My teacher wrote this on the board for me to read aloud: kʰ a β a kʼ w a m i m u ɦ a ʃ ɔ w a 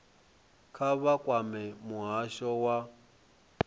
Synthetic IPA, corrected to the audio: kʰ a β a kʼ w a m ɛ m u ɦ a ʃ ɔ w a